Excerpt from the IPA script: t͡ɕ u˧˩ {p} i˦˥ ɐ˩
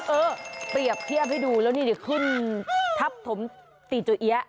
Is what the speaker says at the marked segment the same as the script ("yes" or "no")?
no